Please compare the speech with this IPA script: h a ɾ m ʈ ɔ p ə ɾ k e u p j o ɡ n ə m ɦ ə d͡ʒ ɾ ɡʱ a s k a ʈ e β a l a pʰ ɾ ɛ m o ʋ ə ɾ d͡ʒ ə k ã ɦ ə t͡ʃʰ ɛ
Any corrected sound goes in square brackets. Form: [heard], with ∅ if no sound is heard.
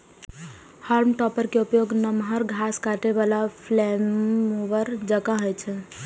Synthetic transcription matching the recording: h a ɾ m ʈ ɔ p ə ɾ k e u p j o ɡ n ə m ɦ ə [∅] ɾ ɡʱ a s k a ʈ e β a l a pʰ [l] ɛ m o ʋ ə ɾ d͡ʒ ə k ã ɦ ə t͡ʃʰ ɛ